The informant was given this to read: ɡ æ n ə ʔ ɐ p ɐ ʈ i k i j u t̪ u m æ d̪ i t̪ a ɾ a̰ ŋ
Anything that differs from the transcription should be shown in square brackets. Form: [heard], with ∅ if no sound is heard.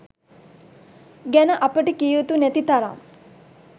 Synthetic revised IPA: ɡ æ n ə ʔ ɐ p [ə] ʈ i k i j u t̪ u [n] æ [t̪] i t̪ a ɾ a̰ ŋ